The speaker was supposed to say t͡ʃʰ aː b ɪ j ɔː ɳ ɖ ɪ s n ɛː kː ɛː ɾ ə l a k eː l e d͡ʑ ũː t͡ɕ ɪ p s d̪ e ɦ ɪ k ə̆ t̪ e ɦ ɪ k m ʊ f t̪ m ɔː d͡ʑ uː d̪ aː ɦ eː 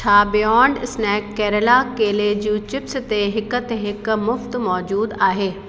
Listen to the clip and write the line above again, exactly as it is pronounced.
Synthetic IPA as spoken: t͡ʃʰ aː b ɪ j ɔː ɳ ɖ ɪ s n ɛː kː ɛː ɾ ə l a k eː l e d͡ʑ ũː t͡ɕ ɪ p s t̪ e ɦ ɪ k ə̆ t̪ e ɦ ɪ k m ʊ f t̪ m ɔː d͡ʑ uː d̪ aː ɦ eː